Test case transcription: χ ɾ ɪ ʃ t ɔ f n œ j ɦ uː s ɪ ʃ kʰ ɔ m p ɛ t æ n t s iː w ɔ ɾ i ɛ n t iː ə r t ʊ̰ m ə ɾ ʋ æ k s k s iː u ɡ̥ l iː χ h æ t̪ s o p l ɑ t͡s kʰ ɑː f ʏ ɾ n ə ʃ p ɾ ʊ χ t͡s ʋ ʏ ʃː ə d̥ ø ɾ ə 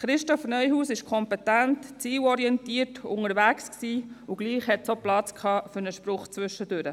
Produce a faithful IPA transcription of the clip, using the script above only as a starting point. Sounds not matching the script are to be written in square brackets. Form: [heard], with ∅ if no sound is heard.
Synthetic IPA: χ ɾ ɪ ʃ t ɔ f n œ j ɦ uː s ɪ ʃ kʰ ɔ m p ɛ t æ n t [t͡s] iː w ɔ ɾ i ɛ n t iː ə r t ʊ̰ [ŋ] ə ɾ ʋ æ k s k s iː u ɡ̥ l iː χ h [ɛ] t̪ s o p l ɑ t͡s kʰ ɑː f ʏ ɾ n ə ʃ p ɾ ʊ χ t͡s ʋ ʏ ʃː ə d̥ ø ɾ ə